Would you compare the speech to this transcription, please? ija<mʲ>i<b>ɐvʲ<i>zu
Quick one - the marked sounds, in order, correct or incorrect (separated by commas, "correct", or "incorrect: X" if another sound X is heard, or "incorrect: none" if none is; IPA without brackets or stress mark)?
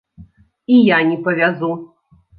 incorrect: nʲ, incorrect: p, incorrect: a